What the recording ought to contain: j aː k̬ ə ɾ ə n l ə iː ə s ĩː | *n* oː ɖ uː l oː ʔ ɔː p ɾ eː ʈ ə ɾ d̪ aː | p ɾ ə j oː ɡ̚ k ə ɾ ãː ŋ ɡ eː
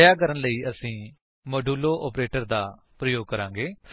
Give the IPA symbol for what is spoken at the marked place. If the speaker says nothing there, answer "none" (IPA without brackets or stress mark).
m